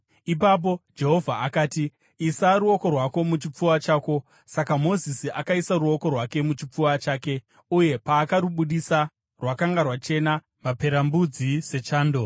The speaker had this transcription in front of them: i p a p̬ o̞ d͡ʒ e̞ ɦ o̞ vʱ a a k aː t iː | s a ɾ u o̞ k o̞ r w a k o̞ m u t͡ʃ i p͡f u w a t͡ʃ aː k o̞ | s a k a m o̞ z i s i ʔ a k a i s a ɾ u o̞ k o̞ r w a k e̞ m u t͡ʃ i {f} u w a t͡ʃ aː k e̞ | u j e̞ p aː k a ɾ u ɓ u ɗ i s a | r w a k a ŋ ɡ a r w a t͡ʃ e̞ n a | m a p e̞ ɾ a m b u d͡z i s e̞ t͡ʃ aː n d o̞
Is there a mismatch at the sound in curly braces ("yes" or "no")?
yes